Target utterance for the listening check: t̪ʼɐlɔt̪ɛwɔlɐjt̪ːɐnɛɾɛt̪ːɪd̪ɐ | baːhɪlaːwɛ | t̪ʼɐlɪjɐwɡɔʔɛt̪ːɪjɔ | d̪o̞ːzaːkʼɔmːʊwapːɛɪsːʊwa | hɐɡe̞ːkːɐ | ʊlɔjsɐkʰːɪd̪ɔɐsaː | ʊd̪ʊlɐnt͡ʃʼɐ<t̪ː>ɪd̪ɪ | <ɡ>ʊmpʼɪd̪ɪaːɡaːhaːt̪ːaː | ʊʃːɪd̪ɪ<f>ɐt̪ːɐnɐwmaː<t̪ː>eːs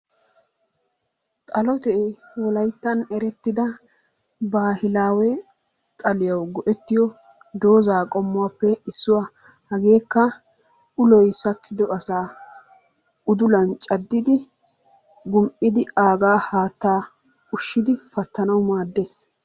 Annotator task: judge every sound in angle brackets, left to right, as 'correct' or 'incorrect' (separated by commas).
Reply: incorrect, correct, correct, incorrect